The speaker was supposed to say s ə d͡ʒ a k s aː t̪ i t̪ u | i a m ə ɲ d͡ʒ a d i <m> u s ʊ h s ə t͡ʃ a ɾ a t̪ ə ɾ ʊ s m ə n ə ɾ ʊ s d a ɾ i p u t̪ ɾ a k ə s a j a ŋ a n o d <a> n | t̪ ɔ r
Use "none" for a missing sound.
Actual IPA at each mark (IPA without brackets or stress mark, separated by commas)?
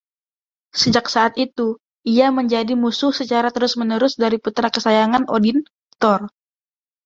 m, i